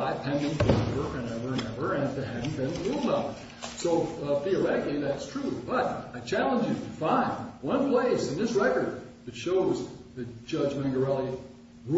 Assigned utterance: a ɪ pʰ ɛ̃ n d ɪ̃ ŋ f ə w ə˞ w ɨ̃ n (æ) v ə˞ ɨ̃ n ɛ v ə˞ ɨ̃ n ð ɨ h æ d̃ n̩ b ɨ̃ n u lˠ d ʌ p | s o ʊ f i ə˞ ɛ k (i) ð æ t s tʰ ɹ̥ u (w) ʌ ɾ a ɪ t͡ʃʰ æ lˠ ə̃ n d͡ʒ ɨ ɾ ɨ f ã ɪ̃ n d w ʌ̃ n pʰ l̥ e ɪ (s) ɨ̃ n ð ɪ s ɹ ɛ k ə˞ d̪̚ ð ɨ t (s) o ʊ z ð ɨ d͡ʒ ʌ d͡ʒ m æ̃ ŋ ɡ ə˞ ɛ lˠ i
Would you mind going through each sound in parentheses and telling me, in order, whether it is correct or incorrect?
incorrect: ɛ, correct, incorrect: b, correct, incorrect: ʃ

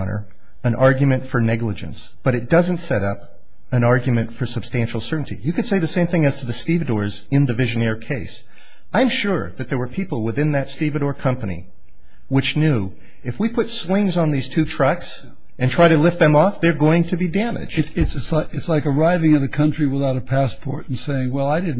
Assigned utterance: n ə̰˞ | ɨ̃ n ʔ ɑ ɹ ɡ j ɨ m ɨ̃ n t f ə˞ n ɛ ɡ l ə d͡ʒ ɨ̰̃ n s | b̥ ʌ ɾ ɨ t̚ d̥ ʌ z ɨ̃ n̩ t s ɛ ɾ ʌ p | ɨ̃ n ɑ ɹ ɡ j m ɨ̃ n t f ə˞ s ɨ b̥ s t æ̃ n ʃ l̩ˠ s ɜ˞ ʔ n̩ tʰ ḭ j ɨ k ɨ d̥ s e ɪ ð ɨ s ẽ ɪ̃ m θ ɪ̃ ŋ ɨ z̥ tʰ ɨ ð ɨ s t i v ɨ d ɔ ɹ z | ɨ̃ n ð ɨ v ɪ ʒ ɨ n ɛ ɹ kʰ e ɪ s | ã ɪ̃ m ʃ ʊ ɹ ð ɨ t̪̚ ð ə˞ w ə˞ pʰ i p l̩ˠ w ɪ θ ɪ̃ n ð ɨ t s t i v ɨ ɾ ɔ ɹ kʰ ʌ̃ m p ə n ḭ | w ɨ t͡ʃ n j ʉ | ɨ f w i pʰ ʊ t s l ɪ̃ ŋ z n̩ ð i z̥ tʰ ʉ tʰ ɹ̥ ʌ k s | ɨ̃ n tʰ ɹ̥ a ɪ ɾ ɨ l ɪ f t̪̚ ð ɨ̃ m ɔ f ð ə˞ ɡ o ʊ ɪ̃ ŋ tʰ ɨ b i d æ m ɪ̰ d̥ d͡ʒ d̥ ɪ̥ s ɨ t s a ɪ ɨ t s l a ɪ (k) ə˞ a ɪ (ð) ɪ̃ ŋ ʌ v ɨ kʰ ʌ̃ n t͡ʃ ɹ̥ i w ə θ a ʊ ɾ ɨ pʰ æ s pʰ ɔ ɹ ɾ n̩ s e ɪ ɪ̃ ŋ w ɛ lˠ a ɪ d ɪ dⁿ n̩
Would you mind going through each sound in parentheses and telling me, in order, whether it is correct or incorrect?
correct, incorrect: v

